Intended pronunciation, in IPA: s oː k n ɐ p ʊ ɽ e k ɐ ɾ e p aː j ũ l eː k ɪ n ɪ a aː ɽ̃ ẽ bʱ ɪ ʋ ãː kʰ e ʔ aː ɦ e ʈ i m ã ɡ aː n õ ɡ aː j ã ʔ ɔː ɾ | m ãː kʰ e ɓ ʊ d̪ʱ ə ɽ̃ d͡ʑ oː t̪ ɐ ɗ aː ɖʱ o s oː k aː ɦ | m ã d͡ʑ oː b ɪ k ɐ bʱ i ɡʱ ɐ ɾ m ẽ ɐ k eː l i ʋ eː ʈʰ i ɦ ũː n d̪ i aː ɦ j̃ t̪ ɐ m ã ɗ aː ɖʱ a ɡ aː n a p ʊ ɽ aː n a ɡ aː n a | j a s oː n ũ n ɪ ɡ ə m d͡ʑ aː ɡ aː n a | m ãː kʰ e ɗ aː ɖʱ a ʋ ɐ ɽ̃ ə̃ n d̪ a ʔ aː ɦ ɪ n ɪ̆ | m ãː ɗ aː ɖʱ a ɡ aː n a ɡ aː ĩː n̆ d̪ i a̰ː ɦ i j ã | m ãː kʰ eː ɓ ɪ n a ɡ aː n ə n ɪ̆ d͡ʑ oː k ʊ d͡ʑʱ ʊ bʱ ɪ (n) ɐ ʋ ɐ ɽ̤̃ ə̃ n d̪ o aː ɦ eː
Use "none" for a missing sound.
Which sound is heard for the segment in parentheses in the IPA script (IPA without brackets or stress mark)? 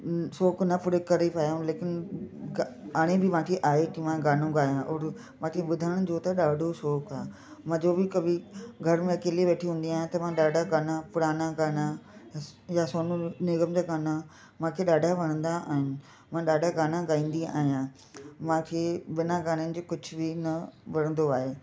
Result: n